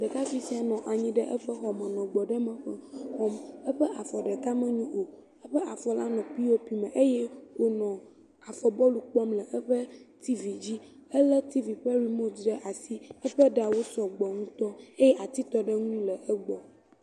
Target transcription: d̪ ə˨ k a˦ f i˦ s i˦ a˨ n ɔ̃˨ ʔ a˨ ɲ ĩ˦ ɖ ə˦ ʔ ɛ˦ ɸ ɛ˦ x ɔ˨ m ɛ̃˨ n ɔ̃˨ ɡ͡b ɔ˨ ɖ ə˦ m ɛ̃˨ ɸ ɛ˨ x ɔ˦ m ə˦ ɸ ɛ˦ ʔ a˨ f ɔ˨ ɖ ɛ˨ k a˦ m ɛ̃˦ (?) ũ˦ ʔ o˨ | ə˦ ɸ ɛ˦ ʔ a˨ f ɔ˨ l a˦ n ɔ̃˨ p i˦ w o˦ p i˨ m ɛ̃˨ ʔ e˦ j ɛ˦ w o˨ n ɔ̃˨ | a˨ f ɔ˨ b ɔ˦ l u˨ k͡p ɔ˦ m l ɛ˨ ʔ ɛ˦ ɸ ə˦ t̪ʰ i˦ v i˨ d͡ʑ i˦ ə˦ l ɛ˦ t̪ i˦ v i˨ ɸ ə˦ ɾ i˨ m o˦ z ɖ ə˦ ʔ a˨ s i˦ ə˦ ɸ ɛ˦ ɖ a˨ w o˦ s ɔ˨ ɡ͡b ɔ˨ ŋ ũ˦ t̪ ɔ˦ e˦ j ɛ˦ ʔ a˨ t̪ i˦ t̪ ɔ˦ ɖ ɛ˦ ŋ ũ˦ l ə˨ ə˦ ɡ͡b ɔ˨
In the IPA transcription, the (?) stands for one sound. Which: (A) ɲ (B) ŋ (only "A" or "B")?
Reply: A